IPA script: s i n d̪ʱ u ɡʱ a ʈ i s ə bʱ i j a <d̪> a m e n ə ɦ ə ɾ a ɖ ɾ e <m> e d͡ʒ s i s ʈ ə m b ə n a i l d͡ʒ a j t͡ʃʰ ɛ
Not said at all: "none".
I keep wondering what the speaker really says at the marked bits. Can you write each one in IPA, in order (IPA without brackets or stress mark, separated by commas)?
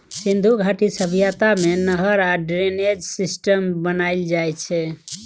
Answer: t̪, n